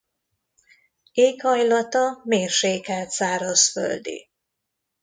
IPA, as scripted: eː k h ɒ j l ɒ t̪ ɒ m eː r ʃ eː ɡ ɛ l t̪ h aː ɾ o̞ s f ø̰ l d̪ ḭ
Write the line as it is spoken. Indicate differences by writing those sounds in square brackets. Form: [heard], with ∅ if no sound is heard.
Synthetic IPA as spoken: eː k h ɒ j l ɒ t̪ ɒ m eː r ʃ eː [k] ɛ l t̪ [s] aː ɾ o̞ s f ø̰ l d̪ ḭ